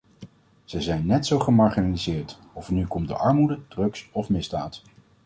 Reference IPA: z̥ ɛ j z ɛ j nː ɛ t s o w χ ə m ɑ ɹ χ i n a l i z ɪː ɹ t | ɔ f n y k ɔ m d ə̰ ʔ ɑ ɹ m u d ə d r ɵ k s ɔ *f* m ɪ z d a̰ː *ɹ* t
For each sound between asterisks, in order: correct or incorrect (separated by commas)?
correct, incorrect